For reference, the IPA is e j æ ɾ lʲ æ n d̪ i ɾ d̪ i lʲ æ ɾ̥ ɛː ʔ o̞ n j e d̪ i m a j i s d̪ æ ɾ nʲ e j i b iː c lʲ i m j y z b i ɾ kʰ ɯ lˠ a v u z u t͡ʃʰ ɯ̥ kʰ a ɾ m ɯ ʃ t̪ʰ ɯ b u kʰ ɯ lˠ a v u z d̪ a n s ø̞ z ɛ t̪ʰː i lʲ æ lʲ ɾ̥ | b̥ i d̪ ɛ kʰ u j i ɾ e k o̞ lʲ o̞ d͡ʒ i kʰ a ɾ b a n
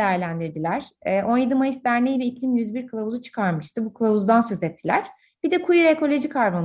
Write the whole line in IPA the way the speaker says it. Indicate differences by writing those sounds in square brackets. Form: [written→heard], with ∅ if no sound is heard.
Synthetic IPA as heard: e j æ ɾ lʲ æ n d̪ i ɾ d̪ i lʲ æ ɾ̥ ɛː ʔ o̞ n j e d̪ i m a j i s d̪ æ ɾ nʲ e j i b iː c lʲ i m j y z b i ɾ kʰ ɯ lˠ a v u z u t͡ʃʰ ɯ̥ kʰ a ɾ m ɯ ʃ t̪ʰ ɯ b u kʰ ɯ lˠ a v u z d̪ a n s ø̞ z ɛ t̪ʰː i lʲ æ [lʲ→∅] ɾ̥ | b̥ i d̪ ɛ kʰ u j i ɾ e k o̞ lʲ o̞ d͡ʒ i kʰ a ɾ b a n